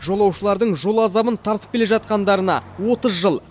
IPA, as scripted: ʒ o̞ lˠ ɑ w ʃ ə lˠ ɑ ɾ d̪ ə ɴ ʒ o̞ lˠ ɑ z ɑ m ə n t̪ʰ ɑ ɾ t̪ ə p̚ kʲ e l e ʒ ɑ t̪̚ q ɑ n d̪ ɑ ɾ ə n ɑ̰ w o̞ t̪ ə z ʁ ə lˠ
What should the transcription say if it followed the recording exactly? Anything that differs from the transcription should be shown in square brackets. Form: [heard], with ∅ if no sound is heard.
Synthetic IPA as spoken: ʒ o̞ lˠ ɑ w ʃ ə lˠ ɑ ɾ d̪ ə ɴ ʒ o̞ lˠ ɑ z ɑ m ə n t̪ʰ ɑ ɾ t̪ ə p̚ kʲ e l e ʒ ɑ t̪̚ q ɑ n d̪ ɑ ɾ ə n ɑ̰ w o̞ t̪ ə z [ʒ] ə lˠ

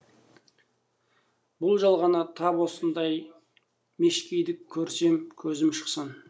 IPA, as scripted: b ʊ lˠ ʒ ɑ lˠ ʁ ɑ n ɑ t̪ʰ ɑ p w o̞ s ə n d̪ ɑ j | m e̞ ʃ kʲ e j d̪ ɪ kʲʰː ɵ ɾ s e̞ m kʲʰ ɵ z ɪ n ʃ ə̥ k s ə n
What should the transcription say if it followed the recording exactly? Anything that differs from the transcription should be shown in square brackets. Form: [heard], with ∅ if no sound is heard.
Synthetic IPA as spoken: b ʊ lˠ ʒ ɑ lˠ ʁ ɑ n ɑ t̪ʰ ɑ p w o̞ s ə n d̪ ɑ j | m e̞ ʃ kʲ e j d̪ ɪ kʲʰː ɵ ɾ s e̞ m kʲʰ ɵ z ɪ [m] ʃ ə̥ [q] s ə n

